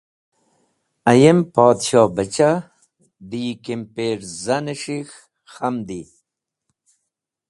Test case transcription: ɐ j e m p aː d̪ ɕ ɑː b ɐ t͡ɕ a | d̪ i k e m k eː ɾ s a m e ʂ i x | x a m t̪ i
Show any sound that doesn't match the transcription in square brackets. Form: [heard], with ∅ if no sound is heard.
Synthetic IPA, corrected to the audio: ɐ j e m p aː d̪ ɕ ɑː b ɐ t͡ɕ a | d̪ i k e m [p] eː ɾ [z] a [n] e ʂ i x | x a m [d̪] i